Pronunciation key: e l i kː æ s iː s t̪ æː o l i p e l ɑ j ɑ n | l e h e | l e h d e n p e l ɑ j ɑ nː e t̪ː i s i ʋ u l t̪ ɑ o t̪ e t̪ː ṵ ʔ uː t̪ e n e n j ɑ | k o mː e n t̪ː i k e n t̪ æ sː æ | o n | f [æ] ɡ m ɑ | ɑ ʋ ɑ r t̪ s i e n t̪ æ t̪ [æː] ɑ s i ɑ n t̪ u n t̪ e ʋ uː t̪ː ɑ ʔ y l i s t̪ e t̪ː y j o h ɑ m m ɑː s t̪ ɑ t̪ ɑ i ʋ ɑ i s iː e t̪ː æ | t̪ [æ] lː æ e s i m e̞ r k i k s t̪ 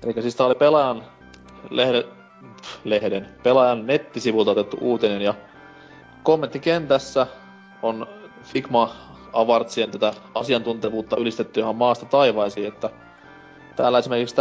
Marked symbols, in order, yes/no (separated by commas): no, no, no